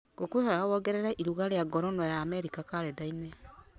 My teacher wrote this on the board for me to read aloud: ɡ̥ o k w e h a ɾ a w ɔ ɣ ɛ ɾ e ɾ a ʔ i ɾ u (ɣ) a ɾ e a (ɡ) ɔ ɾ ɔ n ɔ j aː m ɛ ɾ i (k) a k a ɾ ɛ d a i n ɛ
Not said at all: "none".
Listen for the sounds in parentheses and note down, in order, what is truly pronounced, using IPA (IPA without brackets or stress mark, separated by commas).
ɣ, ɡ, k